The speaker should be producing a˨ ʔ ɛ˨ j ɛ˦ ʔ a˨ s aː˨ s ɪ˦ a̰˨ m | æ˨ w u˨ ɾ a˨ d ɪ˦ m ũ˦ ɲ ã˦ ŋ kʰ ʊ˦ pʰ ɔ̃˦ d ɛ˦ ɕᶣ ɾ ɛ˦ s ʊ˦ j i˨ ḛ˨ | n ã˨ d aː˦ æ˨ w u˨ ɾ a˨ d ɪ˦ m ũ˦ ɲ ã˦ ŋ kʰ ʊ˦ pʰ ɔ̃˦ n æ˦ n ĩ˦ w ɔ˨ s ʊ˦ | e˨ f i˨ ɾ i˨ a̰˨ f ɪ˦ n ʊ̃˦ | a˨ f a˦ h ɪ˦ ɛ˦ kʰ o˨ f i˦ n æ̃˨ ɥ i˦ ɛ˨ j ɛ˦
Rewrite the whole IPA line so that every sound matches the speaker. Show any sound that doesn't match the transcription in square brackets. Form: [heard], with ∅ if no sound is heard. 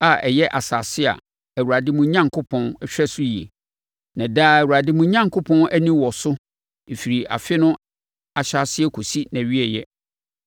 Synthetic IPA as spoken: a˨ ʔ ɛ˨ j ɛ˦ ʔ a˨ s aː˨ s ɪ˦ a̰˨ [∅] | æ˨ w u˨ ɾ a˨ d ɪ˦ m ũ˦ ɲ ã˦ ŋ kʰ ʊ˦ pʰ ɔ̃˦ [n] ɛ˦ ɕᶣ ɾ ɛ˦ s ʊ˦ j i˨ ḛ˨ | n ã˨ d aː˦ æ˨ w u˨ ɾ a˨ d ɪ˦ m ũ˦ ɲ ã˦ ŋ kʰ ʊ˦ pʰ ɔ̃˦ n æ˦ n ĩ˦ w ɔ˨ s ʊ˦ | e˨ f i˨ ɾ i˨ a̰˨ f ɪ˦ n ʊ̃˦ | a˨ [ɕ] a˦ [s] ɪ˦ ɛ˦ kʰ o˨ [s] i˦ n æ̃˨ ɥ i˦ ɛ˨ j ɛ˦

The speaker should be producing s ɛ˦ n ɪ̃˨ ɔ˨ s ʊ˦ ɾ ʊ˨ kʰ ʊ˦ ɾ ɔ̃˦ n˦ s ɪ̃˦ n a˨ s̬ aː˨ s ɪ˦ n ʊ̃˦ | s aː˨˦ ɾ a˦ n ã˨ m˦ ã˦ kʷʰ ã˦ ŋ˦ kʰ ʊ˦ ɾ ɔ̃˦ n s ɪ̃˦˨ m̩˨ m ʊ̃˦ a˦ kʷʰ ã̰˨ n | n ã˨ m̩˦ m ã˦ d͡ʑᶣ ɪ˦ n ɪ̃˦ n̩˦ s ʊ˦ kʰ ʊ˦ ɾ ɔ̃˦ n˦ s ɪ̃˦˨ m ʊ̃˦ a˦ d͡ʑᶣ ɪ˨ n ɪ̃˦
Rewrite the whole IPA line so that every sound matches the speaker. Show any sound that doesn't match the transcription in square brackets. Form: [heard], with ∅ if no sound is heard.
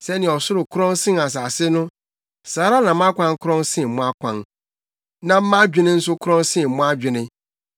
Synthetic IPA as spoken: s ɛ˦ n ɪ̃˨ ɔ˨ s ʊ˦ ɾ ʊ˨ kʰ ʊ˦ ɾ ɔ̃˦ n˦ s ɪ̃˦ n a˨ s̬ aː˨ s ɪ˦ n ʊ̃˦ | s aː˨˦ ɾ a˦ n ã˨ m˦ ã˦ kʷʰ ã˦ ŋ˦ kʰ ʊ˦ ɾ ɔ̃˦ n s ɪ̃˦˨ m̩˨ m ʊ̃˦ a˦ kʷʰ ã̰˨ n | n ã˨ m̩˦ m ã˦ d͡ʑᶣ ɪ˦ n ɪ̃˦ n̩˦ s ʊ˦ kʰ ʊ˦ ɾ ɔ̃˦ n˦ s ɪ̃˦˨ m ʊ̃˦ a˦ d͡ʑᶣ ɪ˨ n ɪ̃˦

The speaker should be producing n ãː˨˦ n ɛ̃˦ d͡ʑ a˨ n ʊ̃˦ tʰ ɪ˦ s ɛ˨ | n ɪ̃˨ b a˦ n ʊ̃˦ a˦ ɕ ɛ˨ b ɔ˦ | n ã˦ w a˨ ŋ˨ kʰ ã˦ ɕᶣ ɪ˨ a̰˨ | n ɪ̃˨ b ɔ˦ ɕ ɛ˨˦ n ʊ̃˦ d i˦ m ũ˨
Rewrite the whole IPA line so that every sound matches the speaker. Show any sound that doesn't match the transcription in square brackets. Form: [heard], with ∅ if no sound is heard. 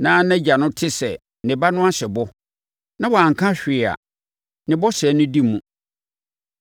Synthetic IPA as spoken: n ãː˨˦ n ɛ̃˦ d͡ʑ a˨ n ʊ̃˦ tʰ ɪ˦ s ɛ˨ | n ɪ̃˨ b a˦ n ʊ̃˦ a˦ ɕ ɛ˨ b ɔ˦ | n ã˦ w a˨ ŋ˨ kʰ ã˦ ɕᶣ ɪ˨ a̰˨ | n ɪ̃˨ b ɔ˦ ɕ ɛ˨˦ n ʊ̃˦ d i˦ m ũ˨

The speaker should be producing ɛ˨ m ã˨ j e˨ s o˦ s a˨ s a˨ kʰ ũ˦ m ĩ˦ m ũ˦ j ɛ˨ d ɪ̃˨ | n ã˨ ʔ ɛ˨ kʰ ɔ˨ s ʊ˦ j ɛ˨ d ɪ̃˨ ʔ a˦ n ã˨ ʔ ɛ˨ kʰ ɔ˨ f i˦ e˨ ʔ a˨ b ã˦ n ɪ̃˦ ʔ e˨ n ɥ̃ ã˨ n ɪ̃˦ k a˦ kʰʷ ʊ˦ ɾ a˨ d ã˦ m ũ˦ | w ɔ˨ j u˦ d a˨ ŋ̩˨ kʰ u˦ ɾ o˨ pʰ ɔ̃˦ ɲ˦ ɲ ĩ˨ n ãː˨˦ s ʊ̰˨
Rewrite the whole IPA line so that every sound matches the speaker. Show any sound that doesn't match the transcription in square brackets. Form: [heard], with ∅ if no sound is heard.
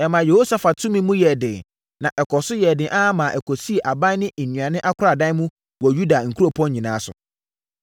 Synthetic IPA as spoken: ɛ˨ m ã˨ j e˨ [h] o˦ s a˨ [f] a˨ [tʰ] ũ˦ m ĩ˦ m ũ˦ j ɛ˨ d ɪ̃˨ | n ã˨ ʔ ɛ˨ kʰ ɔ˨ s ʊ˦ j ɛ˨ d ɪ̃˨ ʔ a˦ [m] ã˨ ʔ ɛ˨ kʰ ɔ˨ [s] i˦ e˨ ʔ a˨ b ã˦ n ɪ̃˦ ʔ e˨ n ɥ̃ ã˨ n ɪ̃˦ [ʔ] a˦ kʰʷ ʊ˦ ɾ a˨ d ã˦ m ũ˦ | w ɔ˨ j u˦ d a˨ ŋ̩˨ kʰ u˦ ɾ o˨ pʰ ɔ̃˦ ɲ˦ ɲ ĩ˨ n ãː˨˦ s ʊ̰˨

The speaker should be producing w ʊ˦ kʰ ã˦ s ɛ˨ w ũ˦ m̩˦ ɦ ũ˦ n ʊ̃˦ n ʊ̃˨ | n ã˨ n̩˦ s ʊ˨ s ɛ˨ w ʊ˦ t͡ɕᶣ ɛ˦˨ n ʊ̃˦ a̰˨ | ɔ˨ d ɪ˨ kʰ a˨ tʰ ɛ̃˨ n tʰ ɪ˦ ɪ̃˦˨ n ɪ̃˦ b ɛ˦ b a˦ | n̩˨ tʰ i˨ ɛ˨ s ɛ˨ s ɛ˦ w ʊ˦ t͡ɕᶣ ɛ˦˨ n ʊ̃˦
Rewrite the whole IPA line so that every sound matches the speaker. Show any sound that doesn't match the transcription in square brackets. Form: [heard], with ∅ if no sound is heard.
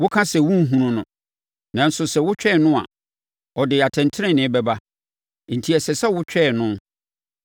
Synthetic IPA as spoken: w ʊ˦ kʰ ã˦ s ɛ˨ w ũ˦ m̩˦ ɦ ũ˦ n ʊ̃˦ n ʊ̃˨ | n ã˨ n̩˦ s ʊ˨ s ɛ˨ w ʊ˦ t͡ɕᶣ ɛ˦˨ n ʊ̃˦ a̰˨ | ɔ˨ d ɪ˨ [∅] a˨ tʰ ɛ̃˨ n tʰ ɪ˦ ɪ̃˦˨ n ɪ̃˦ b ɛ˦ b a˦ | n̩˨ tʰ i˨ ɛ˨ s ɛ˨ s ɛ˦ w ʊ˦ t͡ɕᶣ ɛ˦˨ n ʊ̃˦

